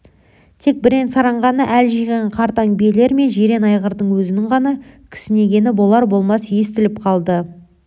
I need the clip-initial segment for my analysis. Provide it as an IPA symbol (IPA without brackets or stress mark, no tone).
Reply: t̪ʰ